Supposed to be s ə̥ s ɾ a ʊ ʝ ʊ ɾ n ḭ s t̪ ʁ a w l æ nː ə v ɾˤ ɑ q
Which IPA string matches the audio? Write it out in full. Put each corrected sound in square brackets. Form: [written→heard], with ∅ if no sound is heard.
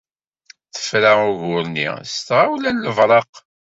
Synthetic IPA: [s→θ] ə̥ [s→f] ɾ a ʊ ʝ ʊ ɾ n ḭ s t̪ ʁ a w l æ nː ə v ɾˤ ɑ q